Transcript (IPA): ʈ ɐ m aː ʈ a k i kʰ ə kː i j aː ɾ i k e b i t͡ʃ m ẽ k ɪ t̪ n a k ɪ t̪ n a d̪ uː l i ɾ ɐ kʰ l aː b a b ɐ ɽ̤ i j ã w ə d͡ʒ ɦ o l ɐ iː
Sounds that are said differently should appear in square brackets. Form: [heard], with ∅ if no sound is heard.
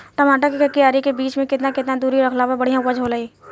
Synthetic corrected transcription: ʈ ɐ m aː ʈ a k i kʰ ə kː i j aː ɾ i k e b [iː] t͡ʃ m ẽ k ɪ t̪ n a k ɪ t̪ n a d̪ uː [ɾ] i ɾ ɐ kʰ l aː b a b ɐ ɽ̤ i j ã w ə d͡ʒ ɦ o l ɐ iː